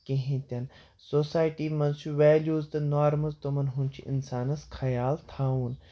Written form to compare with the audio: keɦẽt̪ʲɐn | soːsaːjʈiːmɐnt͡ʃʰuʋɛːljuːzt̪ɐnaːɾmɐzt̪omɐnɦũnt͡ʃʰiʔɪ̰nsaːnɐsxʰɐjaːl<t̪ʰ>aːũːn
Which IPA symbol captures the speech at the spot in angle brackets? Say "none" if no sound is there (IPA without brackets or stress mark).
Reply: t̪ʰ